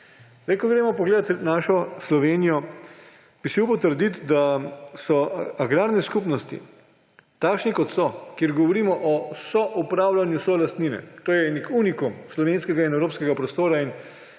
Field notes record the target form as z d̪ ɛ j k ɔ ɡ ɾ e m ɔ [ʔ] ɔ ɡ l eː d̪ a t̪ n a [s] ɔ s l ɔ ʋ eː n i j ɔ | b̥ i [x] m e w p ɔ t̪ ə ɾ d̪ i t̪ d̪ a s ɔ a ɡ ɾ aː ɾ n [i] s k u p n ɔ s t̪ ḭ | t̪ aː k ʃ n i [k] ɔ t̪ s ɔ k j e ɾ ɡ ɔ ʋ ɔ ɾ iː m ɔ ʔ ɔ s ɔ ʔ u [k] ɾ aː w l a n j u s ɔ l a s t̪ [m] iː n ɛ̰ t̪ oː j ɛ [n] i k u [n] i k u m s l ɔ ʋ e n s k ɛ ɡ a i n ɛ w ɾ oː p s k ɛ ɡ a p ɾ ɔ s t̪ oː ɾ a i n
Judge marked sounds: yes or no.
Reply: no, no, no, no, yes, no, no, yes, yes

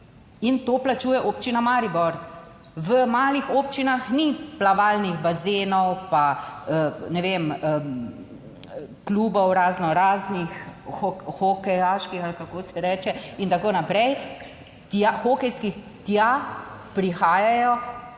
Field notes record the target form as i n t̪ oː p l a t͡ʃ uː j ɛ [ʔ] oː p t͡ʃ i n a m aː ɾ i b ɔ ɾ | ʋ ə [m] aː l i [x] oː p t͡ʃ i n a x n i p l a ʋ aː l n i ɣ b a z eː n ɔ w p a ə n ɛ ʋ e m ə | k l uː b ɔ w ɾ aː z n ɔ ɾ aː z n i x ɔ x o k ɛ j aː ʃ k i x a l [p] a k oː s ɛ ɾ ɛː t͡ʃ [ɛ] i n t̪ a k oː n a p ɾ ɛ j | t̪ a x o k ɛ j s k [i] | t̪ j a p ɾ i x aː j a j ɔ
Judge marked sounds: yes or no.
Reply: yes, yes, yes, no, yes, yes

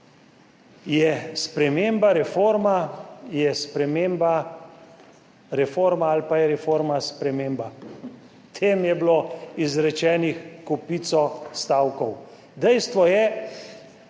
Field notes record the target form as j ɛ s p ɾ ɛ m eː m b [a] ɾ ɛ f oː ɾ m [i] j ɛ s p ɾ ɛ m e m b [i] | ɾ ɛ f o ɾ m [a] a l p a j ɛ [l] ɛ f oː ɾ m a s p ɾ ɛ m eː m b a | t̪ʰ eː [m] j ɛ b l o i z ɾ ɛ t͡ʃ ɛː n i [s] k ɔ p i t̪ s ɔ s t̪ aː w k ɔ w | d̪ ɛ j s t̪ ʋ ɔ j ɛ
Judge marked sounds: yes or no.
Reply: yes, no, no, yes, no, yes, no

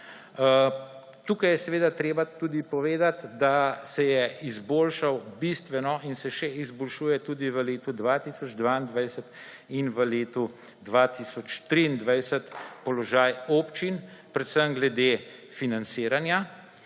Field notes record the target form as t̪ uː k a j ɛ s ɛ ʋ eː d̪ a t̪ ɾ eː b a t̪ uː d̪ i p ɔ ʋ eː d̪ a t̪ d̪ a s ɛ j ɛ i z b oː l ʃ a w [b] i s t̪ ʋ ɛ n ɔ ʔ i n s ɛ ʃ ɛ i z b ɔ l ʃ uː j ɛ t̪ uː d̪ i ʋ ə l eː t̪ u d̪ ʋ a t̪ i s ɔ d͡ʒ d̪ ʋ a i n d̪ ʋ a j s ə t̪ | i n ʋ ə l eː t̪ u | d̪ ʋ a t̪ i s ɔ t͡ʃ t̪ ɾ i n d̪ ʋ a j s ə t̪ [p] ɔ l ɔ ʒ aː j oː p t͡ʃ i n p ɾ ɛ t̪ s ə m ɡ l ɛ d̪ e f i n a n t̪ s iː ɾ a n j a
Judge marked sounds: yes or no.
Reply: yes, yes

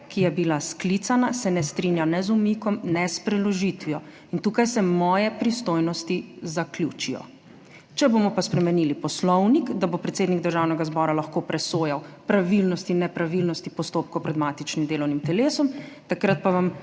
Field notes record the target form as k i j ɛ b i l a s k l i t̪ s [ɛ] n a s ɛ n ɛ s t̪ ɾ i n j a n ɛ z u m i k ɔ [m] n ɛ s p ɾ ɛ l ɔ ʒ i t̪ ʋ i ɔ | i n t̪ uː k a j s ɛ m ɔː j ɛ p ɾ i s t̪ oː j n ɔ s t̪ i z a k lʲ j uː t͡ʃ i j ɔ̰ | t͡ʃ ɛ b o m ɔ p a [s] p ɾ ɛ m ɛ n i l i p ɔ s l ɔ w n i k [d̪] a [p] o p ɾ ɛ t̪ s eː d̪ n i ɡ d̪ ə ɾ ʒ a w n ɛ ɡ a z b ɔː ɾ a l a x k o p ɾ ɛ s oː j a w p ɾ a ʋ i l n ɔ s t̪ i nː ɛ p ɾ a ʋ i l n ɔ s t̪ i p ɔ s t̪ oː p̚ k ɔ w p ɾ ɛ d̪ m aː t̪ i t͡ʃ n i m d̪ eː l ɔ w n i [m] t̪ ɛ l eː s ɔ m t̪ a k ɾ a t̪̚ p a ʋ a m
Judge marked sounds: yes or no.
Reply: no, yes, yes, yes, no, yes

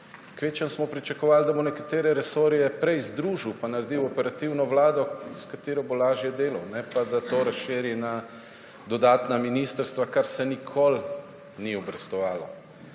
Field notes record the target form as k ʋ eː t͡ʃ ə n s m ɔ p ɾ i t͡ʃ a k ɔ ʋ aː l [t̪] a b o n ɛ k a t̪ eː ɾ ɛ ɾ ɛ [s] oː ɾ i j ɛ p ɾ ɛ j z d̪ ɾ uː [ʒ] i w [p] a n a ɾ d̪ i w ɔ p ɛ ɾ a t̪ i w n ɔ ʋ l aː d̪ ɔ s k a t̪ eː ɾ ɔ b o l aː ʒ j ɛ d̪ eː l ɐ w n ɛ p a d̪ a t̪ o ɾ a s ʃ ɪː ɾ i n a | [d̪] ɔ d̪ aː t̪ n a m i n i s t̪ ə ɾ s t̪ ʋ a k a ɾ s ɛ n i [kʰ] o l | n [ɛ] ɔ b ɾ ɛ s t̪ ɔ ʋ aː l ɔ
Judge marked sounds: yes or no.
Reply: no, yes, yes, yes, yes, yes, no

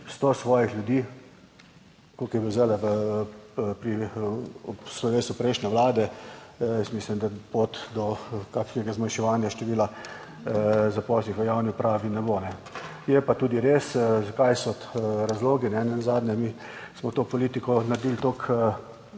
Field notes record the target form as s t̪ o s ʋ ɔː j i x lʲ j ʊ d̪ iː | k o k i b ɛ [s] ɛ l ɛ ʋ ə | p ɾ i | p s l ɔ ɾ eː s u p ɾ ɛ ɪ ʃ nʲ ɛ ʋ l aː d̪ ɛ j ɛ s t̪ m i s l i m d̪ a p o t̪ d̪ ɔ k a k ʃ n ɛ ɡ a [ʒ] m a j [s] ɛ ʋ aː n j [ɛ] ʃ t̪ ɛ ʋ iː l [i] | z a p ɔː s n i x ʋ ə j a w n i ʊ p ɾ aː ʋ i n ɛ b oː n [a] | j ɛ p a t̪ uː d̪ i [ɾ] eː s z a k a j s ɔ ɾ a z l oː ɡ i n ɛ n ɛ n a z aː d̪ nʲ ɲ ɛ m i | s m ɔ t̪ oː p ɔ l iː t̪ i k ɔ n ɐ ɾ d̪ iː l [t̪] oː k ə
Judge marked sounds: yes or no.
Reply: no, no, no, no, no, no, yes, yes

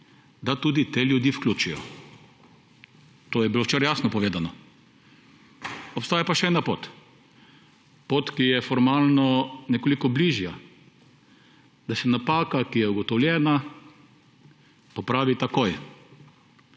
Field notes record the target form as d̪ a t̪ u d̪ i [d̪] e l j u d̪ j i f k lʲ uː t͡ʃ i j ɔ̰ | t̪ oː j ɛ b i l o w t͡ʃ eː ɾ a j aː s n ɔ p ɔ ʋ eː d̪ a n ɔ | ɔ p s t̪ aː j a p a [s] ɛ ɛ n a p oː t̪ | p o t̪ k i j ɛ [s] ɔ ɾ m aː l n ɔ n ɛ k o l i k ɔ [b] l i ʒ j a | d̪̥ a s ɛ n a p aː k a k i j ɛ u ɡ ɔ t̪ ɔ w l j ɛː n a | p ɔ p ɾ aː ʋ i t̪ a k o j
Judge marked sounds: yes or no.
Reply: no, no, no, yes

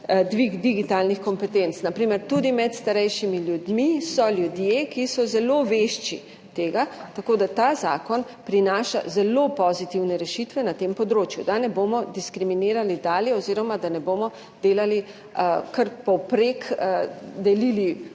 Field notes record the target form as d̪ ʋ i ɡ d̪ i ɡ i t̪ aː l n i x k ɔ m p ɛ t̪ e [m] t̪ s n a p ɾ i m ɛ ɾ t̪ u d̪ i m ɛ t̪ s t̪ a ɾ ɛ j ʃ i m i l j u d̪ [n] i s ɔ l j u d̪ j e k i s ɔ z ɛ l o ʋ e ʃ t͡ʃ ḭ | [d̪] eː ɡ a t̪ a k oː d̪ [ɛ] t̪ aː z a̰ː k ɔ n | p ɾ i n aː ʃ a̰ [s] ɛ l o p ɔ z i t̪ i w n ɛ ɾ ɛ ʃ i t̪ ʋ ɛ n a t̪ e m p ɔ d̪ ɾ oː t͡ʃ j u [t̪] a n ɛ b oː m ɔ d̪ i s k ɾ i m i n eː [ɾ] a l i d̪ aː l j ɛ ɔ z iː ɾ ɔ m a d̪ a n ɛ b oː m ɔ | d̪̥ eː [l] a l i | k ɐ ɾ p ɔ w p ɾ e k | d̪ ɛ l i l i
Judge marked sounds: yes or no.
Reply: no, no, no, no, no, no, yes, yes

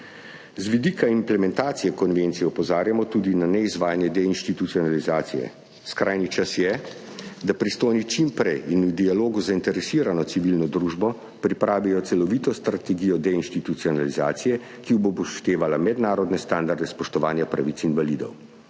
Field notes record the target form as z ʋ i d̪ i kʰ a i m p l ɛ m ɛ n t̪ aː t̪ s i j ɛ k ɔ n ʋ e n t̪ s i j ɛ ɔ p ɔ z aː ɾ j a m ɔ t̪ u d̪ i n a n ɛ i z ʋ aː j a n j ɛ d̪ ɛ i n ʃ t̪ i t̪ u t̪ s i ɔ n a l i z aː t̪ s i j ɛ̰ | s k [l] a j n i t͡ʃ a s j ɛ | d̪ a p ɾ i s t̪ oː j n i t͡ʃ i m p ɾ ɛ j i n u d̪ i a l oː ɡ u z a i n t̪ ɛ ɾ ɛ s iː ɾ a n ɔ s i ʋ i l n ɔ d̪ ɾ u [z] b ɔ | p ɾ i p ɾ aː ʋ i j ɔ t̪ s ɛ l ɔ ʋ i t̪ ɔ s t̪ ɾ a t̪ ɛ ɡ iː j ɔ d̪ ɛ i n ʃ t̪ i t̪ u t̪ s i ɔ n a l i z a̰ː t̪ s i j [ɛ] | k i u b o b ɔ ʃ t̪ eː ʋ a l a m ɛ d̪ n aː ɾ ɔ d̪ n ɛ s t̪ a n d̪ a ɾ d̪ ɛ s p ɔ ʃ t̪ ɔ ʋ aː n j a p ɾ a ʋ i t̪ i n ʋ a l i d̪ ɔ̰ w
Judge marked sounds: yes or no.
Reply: no, no, yes

